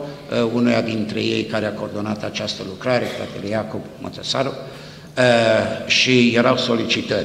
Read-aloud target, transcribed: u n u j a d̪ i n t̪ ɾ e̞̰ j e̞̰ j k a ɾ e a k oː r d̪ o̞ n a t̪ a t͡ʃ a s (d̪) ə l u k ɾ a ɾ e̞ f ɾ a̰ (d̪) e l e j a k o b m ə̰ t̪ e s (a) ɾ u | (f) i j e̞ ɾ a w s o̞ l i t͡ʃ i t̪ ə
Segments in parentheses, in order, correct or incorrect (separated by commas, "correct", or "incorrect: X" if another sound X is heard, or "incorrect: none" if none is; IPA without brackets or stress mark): incorrect: t̪, incorrect: t̪, correct, incorrect: ʃ